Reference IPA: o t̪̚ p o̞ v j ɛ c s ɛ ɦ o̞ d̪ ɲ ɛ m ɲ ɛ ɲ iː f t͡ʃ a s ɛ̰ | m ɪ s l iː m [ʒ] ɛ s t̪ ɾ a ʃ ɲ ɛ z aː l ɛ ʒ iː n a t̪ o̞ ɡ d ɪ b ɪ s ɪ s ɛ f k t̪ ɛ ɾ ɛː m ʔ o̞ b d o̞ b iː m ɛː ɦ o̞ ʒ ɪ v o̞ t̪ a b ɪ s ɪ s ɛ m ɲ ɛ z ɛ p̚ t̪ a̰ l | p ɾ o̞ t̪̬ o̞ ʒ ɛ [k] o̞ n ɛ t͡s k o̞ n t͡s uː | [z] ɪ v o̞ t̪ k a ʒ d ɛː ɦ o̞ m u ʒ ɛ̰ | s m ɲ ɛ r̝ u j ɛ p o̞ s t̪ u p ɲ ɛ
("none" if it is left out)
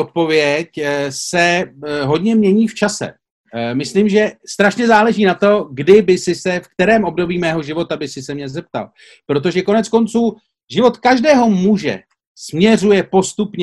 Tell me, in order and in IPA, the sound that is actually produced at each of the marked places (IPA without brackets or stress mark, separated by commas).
ʒ, k, ʒ